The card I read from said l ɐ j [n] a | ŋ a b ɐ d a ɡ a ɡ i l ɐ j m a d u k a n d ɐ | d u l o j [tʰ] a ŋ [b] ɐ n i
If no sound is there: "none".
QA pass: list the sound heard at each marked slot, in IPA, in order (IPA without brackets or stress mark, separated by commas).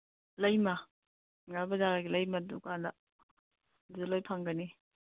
m, pʰ, ɡ